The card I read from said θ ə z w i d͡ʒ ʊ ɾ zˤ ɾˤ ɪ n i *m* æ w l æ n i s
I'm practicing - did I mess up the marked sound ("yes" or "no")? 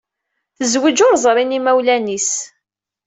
no